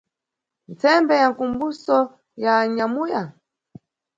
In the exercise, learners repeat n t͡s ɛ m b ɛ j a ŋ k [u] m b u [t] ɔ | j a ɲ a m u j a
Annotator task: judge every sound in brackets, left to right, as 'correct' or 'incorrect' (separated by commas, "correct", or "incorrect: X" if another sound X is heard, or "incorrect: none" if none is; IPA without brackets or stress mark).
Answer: correct, incorrect: s